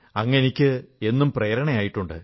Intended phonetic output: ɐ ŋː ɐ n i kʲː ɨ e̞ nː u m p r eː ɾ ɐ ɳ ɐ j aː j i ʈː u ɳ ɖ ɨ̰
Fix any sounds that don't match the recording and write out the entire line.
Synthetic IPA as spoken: ɐ ŋː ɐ n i kʲː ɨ e̞ nː u m p r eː ɾ ɐ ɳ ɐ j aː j i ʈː u ɳ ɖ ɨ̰